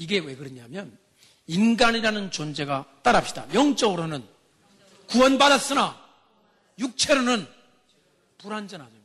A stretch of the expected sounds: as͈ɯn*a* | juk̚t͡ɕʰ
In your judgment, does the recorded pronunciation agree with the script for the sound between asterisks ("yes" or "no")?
yes